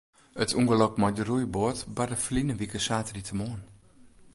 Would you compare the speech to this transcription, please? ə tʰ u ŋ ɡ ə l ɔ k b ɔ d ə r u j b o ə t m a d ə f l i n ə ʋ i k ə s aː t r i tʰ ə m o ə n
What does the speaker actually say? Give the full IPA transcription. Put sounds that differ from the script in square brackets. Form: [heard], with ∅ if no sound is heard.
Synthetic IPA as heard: ə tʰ u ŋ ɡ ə l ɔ k [m] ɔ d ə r u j b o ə t [b] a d ə f l i n ə ʋ i k ə s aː t r i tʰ ə m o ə n